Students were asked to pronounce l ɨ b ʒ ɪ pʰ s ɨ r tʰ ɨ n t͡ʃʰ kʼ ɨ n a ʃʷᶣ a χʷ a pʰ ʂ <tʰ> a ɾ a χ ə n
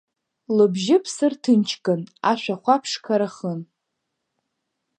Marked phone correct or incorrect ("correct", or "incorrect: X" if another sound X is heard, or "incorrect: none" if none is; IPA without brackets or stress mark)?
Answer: incorrect: kʰ